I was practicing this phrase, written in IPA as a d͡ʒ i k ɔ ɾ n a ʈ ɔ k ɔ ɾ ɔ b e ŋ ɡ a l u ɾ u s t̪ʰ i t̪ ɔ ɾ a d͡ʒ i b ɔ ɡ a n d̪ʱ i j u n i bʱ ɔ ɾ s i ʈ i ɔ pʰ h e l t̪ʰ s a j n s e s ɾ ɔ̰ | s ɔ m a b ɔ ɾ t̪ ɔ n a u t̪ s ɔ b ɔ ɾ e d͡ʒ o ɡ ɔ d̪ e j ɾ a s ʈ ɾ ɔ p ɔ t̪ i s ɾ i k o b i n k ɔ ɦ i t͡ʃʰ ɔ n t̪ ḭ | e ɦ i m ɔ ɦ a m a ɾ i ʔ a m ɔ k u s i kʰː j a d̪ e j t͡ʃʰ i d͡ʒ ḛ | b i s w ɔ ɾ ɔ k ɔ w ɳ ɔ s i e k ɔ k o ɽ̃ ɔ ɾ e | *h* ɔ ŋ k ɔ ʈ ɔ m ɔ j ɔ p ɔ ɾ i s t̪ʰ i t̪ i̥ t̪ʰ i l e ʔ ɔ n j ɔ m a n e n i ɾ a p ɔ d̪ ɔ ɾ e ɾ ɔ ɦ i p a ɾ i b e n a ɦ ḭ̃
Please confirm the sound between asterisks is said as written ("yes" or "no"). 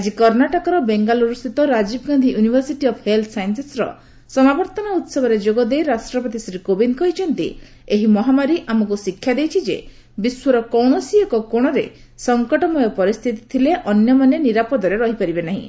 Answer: no